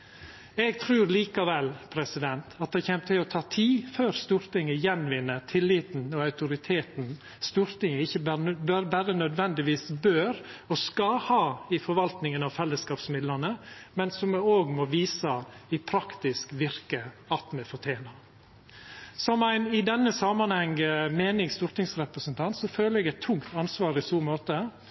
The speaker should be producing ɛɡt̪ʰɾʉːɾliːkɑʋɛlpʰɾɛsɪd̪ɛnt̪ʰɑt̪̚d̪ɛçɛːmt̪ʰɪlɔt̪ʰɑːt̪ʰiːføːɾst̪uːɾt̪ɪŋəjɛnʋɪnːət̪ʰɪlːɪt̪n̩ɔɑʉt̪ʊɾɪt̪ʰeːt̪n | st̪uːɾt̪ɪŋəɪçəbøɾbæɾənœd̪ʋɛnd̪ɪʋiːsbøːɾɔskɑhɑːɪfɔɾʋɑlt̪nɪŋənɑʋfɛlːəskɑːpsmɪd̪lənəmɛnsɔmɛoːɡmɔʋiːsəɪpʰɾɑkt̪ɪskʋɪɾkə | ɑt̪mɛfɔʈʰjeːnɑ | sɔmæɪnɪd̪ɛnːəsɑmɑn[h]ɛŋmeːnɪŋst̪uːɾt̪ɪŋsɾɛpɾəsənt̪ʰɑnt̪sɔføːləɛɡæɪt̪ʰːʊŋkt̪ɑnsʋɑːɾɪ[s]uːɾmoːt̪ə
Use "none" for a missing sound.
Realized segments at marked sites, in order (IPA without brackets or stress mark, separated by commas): h, s